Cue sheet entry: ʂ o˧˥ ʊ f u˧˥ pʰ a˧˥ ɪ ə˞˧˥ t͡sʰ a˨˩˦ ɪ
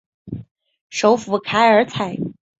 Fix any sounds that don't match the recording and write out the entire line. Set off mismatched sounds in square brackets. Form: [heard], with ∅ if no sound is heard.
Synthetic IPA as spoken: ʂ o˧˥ ʊ f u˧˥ [kʰ] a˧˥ ɪ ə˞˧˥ t͡sʰ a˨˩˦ ɪ